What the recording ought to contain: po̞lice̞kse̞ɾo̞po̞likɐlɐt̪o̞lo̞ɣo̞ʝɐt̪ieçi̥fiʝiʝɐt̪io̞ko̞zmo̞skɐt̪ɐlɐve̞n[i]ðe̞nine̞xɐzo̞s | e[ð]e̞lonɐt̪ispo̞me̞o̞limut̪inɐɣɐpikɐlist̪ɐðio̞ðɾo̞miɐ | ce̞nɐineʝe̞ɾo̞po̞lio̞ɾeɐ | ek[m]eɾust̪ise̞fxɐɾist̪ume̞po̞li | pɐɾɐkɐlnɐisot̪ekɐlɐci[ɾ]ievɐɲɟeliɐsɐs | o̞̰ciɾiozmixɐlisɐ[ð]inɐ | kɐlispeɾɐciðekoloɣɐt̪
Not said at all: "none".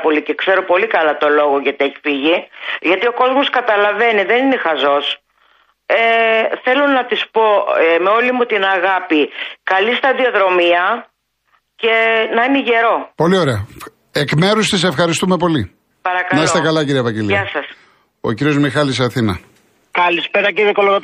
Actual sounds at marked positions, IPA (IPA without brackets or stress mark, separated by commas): i, θ, m, ɾ, θ